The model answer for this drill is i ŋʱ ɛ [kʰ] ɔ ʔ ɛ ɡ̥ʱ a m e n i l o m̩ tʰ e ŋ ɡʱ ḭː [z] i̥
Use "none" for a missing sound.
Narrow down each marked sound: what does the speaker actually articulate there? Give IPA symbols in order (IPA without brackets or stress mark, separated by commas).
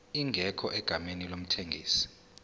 kʰ, s